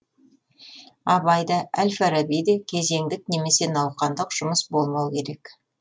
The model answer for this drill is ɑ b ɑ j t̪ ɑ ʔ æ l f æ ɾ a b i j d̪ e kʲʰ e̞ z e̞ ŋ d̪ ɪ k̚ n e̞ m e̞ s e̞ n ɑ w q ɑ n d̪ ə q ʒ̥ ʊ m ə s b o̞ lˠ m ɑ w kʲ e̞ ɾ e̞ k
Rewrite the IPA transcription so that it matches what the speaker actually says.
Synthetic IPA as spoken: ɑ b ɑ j d̪ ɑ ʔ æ l f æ ɾ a b i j d̪ e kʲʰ e̞ z e̞ ŋ d̪ ɪ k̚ n e̞ m e̞ s e̞ n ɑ w q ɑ n d̪ ə q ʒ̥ ʊ m ə s b o̞ lˠ m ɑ w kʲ e̞ ɾ e̞ k